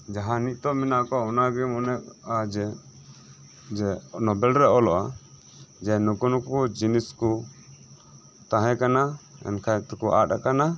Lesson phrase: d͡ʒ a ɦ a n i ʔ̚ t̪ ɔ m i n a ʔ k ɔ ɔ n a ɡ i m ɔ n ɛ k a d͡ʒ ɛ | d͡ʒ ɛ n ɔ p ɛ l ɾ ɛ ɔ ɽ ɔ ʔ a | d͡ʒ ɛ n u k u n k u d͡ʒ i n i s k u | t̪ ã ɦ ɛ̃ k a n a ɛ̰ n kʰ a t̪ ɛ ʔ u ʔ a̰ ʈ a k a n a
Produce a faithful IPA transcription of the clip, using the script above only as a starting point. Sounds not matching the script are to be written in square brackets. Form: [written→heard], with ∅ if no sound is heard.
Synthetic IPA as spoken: d͡ʒ a ɦ a n i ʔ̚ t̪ ɔ m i n a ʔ k ɔ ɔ n a ɡ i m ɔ n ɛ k a d͡ʒ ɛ | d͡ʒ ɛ n ɔ [p→b] ɛ l ɾ ɛ ɔ [ɽ→l] ɔ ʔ a | d͡ʒ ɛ n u k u n k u d͡ʒ i n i s k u | t̪ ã ɦ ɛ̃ k a n a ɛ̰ n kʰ a t̪ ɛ [ʔ→k] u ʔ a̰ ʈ a k a n a